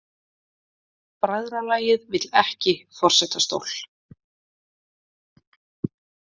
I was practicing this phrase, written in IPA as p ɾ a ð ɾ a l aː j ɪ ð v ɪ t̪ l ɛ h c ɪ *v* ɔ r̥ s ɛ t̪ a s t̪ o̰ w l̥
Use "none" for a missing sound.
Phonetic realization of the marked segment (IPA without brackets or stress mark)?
f